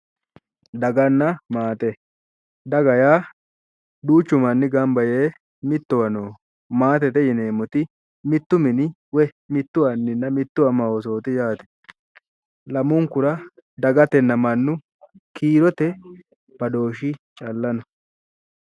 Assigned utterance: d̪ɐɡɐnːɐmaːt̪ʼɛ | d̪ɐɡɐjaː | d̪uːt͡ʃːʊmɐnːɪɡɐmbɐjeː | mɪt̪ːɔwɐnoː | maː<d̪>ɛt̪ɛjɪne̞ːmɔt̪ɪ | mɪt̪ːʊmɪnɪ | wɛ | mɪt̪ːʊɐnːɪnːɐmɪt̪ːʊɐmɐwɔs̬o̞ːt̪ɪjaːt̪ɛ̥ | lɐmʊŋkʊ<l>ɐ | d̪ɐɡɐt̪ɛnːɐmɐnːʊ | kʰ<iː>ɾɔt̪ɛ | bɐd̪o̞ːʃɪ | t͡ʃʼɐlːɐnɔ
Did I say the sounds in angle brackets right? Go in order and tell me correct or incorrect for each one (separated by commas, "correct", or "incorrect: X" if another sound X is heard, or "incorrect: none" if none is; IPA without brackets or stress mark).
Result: incorrect: t̪, incorrect: ɾ, correct